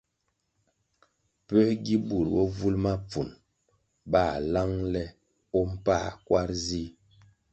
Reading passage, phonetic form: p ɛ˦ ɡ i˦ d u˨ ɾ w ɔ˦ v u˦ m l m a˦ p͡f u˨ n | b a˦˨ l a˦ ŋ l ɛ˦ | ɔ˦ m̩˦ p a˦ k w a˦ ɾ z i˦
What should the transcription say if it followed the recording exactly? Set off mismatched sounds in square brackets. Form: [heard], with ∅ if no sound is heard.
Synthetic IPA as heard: p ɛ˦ ɡ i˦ [b] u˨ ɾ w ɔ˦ v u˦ [∅] l m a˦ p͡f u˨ n | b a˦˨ l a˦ ŋ l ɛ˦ | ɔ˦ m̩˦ p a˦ k w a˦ ɾ z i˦